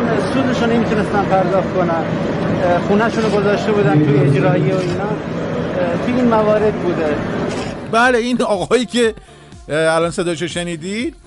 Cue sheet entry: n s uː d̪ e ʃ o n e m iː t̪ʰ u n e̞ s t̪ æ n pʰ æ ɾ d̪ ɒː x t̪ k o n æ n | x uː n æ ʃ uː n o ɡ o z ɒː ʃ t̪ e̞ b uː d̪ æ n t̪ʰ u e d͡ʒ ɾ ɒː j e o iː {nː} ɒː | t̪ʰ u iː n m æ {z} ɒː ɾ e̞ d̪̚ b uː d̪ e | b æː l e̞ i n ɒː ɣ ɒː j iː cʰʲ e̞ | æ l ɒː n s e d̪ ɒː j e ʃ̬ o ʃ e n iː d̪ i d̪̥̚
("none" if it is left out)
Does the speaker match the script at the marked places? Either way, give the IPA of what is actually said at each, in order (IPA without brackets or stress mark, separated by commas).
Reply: n, v